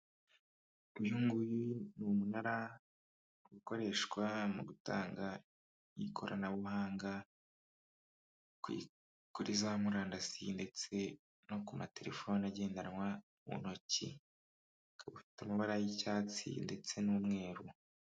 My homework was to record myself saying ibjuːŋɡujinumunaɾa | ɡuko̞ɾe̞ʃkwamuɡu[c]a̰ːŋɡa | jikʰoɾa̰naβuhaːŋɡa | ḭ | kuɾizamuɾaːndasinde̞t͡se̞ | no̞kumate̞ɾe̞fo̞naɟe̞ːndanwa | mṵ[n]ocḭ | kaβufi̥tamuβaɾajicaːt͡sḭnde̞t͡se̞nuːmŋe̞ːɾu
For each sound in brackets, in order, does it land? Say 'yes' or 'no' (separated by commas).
no, yes